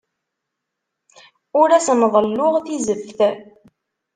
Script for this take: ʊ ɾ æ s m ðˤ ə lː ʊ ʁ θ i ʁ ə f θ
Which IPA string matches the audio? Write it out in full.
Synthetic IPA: ʊ ɾ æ s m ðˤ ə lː ʊ ʁ θ i z ə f θ